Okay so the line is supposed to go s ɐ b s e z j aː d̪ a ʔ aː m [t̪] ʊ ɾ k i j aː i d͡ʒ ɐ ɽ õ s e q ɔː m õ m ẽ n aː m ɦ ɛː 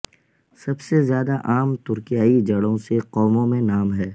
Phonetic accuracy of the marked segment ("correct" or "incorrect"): correct